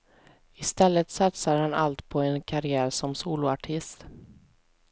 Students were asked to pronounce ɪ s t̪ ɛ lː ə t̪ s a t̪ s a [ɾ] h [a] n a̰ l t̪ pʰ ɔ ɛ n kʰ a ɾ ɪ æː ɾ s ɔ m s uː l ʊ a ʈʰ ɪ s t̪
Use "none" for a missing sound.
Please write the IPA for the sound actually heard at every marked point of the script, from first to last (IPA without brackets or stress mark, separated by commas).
ɾ, a